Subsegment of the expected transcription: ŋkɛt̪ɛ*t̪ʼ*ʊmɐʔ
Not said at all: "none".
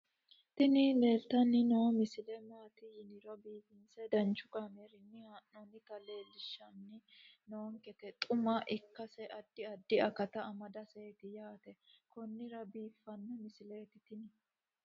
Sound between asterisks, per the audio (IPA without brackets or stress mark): t̪ʼ